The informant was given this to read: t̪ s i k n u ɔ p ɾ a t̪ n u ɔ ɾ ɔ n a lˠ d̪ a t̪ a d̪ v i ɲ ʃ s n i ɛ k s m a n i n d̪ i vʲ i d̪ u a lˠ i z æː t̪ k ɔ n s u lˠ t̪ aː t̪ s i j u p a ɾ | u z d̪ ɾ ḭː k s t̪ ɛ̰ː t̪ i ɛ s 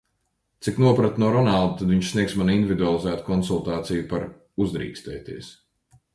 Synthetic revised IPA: t̪ s i k n u ɔ p ɾ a t̪ n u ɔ ɾ ɔ n a lˠ d̪ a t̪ a d̪ v i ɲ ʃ s n i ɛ k s m a n i n d̪ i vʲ i d̪ u a lˠ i z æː t̪ k ɔ n s u lˠ t̪ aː t̪ s i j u p a ɾ | u z d̪ ɾ ḭː k s t̪ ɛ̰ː t̪ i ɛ s